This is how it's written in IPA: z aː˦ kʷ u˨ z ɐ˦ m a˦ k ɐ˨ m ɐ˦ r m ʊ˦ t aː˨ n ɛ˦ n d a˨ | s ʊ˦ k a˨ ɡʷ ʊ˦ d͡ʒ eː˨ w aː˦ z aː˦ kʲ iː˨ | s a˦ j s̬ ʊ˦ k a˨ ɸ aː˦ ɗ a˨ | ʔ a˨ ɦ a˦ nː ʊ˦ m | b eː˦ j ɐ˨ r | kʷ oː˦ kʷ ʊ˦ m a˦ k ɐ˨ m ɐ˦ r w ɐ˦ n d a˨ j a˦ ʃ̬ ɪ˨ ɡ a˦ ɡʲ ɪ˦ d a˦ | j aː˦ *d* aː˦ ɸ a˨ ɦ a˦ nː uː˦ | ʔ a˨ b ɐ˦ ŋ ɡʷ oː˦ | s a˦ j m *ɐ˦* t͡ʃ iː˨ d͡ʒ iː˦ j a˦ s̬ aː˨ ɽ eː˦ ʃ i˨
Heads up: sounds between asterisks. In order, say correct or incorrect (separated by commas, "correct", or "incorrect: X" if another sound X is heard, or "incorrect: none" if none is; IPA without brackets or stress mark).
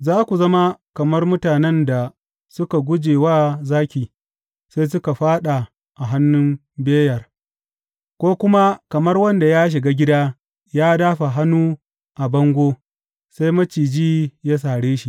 correct, correct